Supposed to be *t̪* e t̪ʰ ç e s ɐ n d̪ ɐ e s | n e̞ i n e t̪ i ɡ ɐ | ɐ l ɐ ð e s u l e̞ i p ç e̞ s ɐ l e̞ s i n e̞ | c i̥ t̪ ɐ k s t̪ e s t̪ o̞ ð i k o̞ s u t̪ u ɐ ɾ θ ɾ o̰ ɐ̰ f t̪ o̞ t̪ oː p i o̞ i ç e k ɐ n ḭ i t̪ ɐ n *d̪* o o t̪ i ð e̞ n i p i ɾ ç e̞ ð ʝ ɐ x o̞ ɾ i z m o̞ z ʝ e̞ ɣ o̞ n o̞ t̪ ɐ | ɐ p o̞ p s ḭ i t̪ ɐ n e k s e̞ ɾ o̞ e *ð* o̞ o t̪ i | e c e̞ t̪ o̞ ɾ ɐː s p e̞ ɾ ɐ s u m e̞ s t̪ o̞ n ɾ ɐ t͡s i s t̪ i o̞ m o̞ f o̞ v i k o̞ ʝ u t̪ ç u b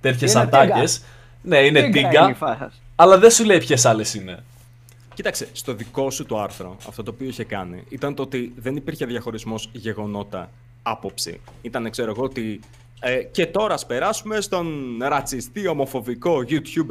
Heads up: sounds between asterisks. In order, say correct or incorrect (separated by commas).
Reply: correct, incorrect, incorrect